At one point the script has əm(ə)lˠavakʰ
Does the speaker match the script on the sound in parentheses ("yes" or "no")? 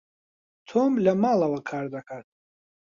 no